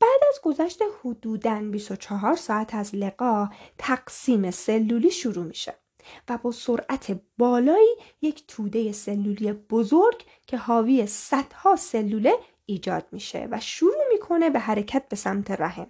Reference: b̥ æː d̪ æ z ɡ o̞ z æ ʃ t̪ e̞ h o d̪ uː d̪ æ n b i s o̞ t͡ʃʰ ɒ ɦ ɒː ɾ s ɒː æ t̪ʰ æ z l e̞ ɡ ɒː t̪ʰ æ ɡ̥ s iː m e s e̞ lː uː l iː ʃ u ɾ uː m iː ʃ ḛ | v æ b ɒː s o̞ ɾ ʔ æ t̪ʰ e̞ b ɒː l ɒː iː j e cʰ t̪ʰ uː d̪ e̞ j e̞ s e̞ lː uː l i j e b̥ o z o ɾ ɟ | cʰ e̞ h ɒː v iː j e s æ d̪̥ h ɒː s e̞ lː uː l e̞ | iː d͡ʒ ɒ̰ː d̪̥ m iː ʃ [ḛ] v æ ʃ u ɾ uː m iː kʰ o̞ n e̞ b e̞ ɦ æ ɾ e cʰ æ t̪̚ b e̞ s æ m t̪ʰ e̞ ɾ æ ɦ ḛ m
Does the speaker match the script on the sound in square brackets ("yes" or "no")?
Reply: yes